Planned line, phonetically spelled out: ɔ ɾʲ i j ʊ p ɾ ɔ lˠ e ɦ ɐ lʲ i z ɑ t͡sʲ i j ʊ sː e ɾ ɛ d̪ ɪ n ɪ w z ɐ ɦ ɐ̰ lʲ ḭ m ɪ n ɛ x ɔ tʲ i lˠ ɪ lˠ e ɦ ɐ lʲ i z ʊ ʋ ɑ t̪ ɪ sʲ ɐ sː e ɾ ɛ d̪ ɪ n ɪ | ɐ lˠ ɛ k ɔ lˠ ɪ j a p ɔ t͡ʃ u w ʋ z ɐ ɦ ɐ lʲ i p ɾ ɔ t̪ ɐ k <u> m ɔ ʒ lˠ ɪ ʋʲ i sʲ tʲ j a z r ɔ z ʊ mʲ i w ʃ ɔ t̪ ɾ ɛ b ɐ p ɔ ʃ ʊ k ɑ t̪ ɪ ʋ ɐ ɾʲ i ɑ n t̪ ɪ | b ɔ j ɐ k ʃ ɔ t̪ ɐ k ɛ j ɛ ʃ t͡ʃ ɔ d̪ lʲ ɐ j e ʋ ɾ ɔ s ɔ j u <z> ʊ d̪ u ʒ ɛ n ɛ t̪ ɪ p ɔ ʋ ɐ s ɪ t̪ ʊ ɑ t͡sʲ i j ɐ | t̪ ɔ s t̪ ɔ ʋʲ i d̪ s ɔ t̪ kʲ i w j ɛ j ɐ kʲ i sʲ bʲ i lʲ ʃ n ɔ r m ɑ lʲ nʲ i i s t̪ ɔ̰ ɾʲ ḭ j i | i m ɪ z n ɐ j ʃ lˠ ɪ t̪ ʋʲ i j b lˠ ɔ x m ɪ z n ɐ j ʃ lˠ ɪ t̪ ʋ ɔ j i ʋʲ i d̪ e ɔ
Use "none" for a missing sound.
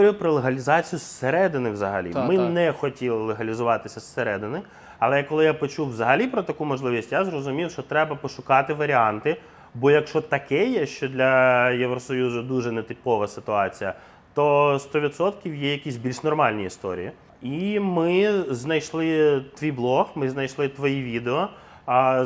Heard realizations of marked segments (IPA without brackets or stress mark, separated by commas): u, z